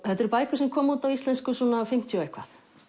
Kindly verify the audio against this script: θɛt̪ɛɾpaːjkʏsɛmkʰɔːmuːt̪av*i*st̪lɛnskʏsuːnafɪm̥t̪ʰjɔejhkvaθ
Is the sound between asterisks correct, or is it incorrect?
correct